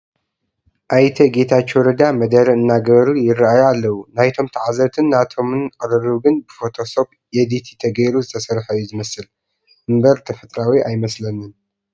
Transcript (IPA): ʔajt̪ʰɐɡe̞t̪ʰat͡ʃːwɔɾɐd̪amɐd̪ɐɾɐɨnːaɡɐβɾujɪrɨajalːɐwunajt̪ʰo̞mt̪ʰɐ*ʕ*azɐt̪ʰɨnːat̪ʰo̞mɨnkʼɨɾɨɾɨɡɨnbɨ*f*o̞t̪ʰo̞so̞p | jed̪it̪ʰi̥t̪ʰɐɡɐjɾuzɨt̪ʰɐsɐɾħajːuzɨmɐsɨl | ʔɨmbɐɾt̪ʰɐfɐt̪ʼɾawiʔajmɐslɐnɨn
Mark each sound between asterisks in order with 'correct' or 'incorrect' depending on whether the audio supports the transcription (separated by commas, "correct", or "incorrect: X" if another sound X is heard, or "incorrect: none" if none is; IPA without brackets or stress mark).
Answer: correct, correct